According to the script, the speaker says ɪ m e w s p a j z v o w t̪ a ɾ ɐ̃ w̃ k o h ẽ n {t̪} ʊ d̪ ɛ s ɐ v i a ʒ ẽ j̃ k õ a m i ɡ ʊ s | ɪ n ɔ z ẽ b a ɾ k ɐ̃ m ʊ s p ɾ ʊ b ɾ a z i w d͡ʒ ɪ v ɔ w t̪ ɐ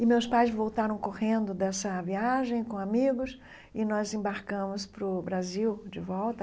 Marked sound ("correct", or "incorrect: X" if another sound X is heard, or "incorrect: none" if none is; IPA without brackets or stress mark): incorrect: d̪